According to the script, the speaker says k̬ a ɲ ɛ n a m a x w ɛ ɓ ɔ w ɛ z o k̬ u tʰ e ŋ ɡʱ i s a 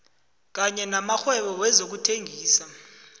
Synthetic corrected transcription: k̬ a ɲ ɛ n a m a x w ɛ ɓ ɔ w ɛ z o k̬ u tʰ e ŋ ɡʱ iː s a